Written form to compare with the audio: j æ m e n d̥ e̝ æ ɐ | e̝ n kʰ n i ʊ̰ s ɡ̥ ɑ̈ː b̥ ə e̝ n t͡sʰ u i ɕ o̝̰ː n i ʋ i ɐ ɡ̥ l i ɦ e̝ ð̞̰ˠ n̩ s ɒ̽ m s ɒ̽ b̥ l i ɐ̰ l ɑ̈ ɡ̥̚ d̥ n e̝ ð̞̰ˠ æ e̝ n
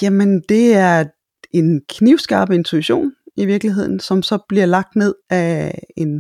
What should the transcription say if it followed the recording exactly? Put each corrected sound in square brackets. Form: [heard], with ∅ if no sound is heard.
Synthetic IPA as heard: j æ m e n d̥ e̝ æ ɐ | e̝ n kʰ n i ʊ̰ s ɡ̥ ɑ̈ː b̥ ə e̝ n t͡sʰ u i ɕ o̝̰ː n i ʋ i ɐ ɡ̥ l i ɦ e̝ ð̞̰ˠ n̩ s ɒ̽ m s ɒ̽ b̥ l i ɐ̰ l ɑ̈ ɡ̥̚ d̥ n e̝ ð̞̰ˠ æ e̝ n